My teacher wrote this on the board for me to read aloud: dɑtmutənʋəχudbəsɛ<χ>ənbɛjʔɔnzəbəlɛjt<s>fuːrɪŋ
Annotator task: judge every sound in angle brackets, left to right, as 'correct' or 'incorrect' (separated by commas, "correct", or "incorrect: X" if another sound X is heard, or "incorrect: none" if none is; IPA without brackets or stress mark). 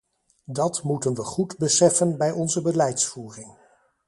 incorrect: f, correct